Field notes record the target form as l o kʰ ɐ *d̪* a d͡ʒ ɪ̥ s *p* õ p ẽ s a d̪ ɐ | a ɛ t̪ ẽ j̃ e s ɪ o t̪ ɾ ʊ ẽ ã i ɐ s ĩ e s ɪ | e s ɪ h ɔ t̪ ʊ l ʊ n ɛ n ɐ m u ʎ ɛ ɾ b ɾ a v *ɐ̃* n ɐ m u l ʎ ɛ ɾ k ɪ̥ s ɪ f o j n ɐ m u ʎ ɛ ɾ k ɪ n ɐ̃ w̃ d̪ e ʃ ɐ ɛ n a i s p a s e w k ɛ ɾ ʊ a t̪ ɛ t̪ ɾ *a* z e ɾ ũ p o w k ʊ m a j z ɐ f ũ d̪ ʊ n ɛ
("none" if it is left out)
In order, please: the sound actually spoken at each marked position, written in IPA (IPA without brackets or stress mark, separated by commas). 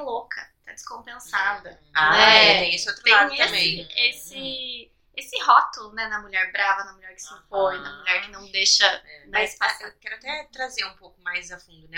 t̪, k, ɐ, a